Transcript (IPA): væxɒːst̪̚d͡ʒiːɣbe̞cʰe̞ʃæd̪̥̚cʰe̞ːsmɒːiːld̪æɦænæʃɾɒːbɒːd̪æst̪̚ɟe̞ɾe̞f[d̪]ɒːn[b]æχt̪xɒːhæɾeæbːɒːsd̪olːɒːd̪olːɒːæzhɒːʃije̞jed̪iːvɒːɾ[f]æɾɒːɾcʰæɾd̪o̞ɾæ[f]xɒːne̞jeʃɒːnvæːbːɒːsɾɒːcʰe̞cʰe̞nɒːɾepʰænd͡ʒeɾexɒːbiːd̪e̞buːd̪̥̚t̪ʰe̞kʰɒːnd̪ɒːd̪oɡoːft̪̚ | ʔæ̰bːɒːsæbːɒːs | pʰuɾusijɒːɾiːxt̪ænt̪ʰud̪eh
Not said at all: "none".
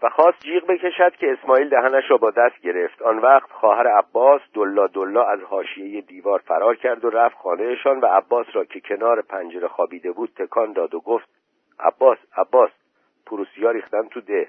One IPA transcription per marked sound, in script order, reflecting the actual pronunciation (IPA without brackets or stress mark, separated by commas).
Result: t̪, v, f, f